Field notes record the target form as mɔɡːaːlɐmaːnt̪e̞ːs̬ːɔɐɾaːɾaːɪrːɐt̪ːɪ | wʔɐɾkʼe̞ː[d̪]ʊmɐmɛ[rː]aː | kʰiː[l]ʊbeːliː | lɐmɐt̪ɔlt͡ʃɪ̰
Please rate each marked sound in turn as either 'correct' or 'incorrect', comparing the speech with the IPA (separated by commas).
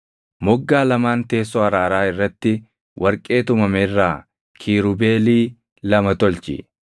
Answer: incorrect, correct, incorrect